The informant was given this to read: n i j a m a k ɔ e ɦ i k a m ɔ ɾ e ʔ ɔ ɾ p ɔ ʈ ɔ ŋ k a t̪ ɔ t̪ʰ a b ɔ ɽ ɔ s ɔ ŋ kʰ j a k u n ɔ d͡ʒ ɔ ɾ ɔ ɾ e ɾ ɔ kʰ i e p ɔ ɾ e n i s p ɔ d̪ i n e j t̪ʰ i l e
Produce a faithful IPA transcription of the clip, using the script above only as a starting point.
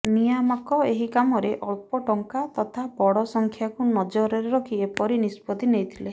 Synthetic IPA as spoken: n i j a m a k ɔ e ɦ i k a m ɔ ɾ e ʔ ɔ ɭ p ɔ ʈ ɔ ŋ k a t̪ ɔ t̪ʰ a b ɔ ɽ ɔ s ɔ ŋ kʰ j a k u n ɔ d͡ʒ ɔ ɾ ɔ ɾ e ɾ ɔ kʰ i e p ɔ ɾ i n i s p ɔ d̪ i n e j t̪ʰ i l e